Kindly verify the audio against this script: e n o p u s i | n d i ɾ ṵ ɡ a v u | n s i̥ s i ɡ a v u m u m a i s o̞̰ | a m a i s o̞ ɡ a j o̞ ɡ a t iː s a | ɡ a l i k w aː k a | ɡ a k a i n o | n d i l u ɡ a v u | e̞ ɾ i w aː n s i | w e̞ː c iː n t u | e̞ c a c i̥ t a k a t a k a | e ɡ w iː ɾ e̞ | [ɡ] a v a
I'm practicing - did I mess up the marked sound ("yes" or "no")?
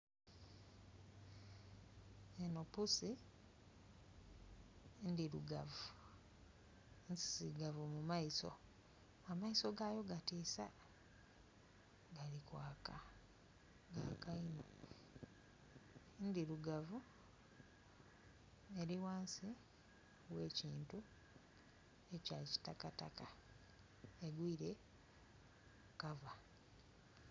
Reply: yes